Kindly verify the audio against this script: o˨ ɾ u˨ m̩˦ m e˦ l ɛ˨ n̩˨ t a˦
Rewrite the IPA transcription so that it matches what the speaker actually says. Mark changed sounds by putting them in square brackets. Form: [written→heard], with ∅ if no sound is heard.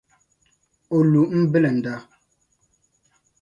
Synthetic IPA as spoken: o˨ [ɾ→l] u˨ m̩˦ [m→b] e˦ l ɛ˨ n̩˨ [t→d] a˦